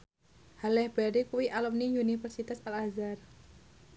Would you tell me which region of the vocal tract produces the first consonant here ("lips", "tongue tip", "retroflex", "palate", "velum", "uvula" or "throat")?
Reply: throat